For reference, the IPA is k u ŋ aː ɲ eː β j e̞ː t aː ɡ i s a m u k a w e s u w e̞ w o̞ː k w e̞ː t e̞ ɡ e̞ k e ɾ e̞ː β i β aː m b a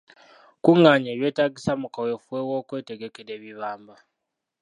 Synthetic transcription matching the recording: k u ŋ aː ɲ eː β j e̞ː t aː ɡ i s a m u k a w e f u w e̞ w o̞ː k w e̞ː t e̞ ɡ e̞ k e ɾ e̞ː β i β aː m b a